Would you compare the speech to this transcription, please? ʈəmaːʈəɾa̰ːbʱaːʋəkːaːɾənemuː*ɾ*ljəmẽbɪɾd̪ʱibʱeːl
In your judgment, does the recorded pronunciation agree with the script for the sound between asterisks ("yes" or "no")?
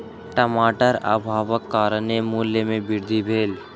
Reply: no